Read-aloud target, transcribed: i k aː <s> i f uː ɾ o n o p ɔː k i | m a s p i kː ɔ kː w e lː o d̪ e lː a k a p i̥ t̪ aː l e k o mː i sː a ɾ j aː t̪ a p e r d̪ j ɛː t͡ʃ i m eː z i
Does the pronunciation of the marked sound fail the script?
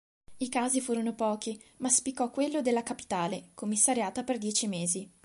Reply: yes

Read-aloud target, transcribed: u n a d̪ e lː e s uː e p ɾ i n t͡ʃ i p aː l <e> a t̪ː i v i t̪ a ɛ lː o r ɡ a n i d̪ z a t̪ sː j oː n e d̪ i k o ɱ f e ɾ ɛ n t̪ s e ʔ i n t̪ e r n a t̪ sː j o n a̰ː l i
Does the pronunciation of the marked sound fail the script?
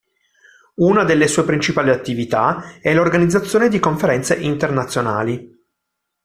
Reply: yes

